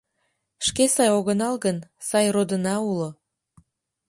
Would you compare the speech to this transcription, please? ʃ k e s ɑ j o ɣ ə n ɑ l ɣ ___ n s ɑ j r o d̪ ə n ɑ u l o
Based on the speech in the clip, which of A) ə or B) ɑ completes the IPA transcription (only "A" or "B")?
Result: A